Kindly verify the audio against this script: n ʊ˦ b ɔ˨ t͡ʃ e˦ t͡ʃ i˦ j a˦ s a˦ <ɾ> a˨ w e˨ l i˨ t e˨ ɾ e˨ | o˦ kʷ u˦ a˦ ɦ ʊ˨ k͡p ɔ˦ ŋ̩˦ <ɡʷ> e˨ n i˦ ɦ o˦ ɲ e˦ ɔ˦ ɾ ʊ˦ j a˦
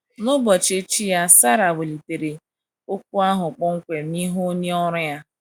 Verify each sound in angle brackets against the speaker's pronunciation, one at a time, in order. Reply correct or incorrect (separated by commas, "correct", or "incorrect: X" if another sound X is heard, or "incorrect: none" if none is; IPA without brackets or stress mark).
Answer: correct, incorrect: kʷ